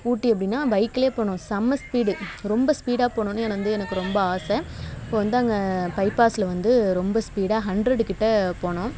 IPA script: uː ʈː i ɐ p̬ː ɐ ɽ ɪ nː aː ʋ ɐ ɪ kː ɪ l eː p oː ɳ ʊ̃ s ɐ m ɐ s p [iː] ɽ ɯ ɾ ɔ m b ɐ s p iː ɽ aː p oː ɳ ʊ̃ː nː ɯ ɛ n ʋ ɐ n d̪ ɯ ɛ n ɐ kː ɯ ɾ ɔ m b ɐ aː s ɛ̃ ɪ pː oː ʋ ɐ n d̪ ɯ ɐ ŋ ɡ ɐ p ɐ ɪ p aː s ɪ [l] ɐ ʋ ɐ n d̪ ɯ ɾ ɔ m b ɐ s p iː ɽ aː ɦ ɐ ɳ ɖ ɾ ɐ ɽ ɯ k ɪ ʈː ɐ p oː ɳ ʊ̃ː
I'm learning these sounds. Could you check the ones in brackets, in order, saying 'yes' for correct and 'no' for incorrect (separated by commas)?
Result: yes, yes